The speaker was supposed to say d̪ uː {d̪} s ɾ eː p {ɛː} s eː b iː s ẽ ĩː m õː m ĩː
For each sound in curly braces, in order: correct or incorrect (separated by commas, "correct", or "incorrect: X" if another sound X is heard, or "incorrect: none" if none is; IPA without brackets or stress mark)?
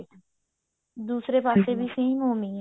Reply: incorrect: none, incorrect: aː